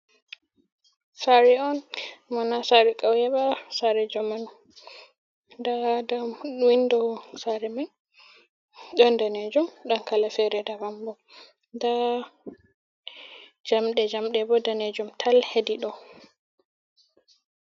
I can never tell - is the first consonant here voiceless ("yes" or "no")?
yes